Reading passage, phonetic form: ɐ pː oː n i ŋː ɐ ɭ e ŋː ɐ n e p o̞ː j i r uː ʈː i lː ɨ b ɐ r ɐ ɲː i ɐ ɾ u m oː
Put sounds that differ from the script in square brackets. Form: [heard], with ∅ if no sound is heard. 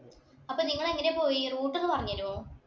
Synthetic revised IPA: ɐ pː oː n i ŋː ɐ ɭ e ŋː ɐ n e p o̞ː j i r uː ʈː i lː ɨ [p] ɐ r ɐ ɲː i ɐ ɾ u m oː